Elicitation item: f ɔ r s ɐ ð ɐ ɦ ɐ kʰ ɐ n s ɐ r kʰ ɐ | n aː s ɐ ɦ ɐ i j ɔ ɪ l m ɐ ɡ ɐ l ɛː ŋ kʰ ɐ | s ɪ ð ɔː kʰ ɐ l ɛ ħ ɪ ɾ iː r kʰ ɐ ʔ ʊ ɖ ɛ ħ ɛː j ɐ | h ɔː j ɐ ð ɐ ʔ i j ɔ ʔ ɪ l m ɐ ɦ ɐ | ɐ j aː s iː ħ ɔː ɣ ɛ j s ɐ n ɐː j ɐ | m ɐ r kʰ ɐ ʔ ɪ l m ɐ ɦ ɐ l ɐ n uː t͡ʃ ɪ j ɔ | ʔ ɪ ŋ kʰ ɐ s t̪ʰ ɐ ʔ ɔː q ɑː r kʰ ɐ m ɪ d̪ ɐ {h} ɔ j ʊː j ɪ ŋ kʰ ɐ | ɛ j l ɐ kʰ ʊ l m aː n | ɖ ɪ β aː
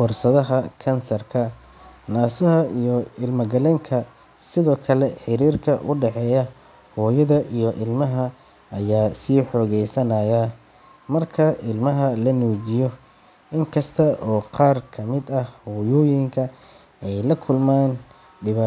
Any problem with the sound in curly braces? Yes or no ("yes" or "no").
no